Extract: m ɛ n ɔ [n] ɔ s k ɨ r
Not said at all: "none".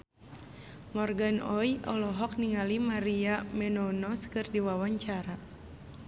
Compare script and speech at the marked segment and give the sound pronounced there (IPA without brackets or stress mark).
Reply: n